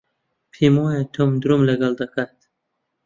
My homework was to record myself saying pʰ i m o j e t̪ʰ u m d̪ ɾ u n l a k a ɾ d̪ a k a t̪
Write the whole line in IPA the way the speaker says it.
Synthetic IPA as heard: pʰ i m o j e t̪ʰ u m d̪ ɾ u m l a ɡ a l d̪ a k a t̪